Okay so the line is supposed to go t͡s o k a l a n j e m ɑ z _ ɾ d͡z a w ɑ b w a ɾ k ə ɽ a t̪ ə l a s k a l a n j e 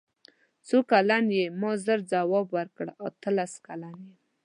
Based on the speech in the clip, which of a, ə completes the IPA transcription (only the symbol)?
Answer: ə